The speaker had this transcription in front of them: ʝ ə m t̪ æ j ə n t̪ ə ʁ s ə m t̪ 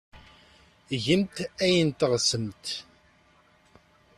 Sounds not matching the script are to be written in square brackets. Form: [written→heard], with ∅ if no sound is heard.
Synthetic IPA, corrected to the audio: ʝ ə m t̪ æ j ə n t̪ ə ʁ s ə m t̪